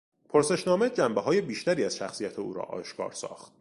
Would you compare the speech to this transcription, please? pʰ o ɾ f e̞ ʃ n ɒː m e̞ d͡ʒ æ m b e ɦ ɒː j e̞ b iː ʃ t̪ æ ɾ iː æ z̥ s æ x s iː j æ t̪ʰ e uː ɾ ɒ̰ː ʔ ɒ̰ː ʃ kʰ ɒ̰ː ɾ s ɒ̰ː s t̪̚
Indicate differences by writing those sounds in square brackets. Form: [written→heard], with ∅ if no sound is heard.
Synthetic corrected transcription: pʰ o ɾ [f→s] e̞ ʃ n ɒː m e̞ d͡ʒ æ m b e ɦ ɒː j e̞ b iː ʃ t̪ æ ɾ iː æ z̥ [s→ʃ] æ x s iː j æ t̪ʰ e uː ɾ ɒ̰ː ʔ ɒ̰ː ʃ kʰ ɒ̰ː ɾ s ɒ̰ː [s→x] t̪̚